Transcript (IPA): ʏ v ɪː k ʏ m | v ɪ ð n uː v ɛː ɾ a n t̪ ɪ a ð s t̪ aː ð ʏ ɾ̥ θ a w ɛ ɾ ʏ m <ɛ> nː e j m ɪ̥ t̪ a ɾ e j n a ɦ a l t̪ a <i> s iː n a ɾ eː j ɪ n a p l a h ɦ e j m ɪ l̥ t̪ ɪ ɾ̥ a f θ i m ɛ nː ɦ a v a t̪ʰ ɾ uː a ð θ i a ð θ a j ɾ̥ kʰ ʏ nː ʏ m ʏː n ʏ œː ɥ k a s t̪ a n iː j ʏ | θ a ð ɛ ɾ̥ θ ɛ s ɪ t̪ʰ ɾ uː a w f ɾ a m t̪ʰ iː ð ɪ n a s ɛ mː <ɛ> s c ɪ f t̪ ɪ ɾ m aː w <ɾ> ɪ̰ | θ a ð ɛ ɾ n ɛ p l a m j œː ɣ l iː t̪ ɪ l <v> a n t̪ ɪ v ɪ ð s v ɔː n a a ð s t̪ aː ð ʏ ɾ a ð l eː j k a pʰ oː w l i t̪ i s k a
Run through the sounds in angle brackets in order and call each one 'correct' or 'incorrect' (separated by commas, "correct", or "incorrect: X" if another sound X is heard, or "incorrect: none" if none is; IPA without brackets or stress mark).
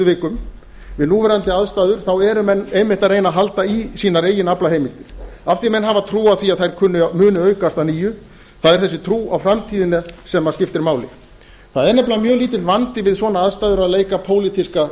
correct, correct, incorrect: a, incorrect: l, correct